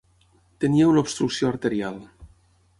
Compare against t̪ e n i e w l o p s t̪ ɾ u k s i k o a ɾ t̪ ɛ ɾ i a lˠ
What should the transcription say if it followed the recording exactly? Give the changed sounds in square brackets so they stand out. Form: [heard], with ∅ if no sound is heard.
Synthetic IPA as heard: t̪ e n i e w l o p s t̪ ɾ u k s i [∅] o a ɾ t̪ [e] ɾ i a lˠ